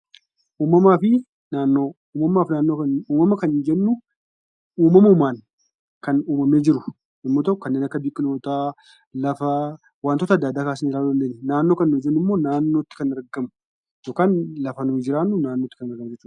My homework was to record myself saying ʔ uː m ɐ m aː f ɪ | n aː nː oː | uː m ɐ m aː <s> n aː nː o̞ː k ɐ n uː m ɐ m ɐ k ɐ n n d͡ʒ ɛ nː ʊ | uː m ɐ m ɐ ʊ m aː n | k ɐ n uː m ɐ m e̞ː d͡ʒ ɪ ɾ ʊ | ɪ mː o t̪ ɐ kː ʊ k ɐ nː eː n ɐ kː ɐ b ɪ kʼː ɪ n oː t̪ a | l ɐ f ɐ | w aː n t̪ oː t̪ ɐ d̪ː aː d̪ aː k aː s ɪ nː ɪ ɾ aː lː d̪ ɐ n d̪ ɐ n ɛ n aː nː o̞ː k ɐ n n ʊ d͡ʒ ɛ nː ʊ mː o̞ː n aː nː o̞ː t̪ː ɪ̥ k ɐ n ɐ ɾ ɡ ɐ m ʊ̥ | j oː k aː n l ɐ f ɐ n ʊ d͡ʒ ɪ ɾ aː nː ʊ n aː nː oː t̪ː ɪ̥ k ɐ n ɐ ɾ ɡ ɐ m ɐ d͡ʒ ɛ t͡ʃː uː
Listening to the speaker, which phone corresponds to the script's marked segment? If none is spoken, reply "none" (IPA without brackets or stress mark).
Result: f